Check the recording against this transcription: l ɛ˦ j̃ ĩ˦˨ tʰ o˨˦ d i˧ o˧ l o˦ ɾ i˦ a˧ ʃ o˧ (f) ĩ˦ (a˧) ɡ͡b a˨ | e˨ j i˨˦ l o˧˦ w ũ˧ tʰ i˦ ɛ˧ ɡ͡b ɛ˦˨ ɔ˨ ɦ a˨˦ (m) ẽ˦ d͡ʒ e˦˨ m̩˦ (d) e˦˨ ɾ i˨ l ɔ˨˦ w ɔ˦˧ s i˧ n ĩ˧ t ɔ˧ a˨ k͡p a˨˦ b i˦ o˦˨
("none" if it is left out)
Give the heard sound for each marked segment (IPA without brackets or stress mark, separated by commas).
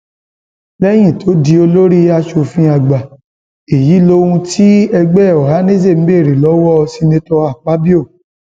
f, a˧, n, b